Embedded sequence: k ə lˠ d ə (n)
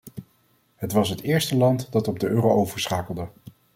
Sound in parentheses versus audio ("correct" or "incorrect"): incorrect